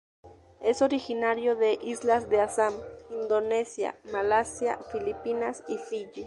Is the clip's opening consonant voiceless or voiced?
voiceless